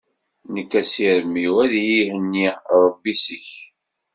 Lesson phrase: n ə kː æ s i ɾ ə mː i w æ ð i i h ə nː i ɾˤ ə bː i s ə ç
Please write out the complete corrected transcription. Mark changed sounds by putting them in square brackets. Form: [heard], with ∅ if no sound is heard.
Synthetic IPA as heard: n ə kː æ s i ɾ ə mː i w æ ð [j] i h ə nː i ɾˤ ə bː i s ə ç

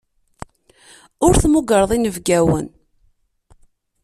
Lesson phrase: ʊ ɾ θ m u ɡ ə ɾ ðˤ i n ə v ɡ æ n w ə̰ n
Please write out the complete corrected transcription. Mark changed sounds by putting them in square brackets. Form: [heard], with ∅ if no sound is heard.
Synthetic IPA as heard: ʊ ɾ θ m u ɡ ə ɾ ðˤ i n ə v ɡ æ [∅] w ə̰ n

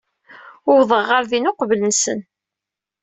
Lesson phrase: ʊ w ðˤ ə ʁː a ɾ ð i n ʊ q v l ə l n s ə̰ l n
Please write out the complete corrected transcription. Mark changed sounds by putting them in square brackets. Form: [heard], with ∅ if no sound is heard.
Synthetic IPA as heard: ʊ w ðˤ ə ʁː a ɾ ð i n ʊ q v l ə [∅] n s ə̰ [∅] n

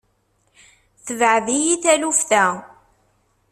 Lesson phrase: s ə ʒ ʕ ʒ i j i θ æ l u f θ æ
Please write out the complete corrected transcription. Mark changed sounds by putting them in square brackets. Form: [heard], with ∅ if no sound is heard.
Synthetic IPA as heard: [θ] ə [v] ʕ [ð] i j i θ æ l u f θ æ

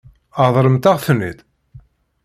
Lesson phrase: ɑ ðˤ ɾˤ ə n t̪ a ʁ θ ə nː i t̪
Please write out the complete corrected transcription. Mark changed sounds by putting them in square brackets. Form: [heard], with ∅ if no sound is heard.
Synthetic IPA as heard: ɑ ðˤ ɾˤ ə [m] t̪ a ʁ θ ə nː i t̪

